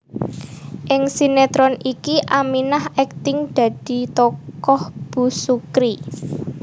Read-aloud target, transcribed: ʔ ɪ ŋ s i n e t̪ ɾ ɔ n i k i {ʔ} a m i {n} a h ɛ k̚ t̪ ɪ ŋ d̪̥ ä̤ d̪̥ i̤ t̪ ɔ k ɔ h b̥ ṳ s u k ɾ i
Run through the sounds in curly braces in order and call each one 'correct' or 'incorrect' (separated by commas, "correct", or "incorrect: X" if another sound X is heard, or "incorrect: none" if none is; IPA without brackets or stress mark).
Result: correct, correct